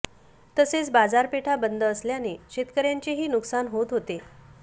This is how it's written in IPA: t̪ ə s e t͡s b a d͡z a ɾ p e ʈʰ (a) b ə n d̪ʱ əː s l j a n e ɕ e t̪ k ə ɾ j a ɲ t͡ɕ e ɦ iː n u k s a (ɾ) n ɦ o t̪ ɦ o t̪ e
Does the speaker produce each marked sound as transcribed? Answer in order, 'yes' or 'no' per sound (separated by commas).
yes, no